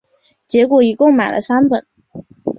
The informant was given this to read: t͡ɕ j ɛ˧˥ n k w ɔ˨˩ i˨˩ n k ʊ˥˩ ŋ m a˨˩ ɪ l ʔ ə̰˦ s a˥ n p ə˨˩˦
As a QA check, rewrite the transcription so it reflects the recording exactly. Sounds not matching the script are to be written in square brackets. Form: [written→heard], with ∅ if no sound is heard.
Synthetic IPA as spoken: t͡ɕ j ɛ˧˥ [n→∅] k w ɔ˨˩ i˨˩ [n→∅] k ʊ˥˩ ŋ m a˨˩ ɪ l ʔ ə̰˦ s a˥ n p ə˨˩˦